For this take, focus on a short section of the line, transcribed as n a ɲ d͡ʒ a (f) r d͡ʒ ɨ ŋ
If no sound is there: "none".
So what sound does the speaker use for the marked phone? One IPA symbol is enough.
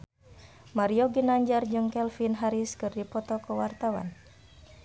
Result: none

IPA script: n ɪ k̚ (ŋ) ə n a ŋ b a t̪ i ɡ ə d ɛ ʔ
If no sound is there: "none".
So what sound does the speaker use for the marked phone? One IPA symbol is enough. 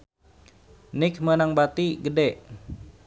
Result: m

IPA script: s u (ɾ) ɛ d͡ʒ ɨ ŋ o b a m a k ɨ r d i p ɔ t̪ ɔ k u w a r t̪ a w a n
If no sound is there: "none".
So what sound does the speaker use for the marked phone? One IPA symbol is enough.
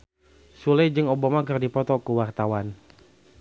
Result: l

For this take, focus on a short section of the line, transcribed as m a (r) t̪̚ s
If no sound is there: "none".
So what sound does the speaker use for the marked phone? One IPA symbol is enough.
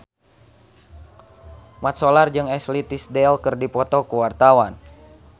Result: none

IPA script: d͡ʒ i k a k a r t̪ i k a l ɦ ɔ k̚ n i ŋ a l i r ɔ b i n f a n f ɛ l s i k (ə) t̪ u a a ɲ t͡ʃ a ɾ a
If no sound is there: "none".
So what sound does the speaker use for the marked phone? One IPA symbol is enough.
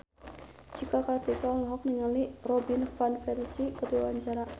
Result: ə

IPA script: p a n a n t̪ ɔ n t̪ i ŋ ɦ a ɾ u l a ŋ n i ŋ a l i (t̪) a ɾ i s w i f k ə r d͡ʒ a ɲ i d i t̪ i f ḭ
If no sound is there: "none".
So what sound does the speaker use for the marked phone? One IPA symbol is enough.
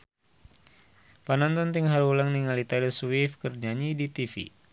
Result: t̪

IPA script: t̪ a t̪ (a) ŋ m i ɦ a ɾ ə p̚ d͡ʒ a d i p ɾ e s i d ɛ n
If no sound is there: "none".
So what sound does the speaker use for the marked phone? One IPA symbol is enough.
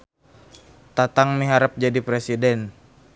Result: a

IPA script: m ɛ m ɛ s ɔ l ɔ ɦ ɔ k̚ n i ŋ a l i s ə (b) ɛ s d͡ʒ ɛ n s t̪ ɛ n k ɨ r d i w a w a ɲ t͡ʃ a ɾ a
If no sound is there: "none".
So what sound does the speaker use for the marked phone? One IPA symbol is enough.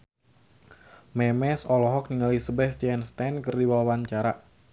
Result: b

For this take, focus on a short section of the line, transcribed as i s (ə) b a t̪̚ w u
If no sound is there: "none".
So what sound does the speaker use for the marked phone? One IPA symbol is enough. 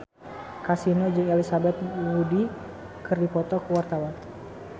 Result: a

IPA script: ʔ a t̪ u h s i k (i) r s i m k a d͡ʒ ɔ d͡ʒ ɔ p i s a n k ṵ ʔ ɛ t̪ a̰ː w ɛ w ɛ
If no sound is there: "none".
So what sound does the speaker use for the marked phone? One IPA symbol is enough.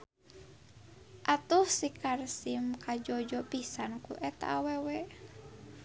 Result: a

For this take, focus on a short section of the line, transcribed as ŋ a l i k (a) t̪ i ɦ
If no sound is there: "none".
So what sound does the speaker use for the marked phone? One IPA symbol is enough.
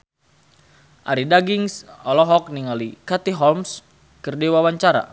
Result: a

